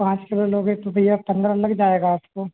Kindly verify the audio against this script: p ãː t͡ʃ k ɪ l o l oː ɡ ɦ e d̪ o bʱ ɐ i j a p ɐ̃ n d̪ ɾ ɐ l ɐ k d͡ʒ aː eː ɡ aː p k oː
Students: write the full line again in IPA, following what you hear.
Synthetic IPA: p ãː t͡ʃ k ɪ l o l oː ɡ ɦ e t̪ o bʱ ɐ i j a p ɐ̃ n d̪ ɾ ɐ l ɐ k d͡ʒ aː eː ɡ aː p k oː